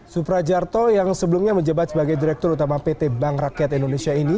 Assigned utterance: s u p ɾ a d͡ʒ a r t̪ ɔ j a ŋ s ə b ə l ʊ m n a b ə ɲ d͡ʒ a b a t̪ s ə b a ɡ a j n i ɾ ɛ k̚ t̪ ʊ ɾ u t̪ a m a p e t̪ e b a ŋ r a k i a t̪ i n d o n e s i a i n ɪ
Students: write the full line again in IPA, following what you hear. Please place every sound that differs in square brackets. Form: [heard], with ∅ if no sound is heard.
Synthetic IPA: s u p ɾ a d͡ʒ a r t̪ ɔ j a ŋ s ə b ə l [u] m [ɲ] a [m] ə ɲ d͡ʒ a b a t̪ s ə b a ɡ a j [d] i ɾ ɛ k̚ t̪ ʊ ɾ u t̪ a m a p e t̪ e b a ŋ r a k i a t̪ i n d o n e s i a i n [i]